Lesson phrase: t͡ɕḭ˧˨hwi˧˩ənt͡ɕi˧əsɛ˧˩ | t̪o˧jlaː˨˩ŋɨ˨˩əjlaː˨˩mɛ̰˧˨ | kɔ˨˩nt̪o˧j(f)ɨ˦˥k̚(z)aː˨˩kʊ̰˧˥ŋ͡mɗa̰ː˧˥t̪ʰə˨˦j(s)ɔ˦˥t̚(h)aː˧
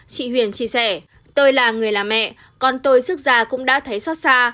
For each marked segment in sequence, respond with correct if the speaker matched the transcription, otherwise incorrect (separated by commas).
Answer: incorrect, correct, correct, incorrect